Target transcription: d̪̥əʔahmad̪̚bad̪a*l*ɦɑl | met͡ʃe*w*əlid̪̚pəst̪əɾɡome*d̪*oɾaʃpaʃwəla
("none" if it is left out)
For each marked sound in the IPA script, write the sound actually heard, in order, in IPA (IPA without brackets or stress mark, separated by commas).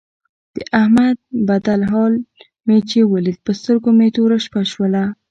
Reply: l, w, t̪